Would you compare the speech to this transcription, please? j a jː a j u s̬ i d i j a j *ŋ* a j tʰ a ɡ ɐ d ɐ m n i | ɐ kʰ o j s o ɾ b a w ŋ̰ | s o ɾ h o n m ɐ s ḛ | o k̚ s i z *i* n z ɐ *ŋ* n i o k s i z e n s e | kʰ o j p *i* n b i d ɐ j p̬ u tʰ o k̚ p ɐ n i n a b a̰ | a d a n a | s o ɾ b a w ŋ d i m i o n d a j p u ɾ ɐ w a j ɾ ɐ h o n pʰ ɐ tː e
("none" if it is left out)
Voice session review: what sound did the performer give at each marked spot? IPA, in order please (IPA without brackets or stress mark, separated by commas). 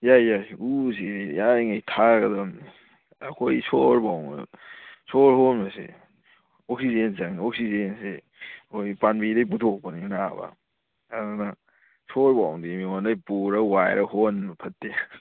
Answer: ŋ, e, ŋ, a